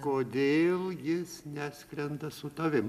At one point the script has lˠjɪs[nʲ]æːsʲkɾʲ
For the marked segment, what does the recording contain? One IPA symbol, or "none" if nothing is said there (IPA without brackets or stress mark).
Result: nʲ